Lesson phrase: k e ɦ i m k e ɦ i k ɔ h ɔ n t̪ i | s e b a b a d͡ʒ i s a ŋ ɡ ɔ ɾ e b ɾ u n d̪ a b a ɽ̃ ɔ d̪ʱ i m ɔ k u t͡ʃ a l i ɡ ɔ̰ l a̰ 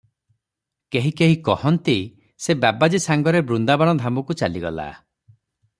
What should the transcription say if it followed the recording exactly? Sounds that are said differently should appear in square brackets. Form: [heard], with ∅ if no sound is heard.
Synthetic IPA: k e ɦ i [∅] k e ɦ i k ɔ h ɔ n t̪ i | s e b a b a d͡ʒ i s a ŋ ɡ ɔ ɾ e b ɾ u n d̪ a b a ɽ̃ ɔ d̪ʱ [a] m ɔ k u t͡ʃ a l i ɡ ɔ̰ l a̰

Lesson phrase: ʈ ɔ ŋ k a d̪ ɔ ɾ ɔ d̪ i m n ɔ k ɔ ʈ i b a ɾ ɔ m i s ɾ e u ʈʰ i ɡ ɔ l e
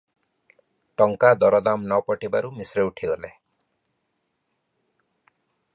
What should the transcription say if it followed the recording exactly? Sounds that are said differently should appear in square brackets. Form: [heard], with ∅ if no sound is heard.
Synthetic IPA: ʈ ɔ ŋ k a d̪ ɔ ɾ ɔ d̪ [a] m n ɔ [p] ɔ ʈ i b a ɾ [u] m i s ɾ e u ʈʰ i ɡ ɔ l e

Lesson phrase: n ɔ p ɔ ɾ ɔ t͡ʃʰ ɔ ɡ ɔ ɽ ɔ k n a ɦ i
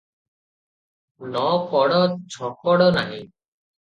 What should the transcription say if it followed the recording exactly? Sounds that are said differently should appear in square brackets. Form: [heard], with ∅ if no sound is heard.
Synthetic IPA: n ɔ [k] ɔ [ɽ] ɔ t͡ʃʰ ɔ [k] ɔ ɽ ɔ [∅] n a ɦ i

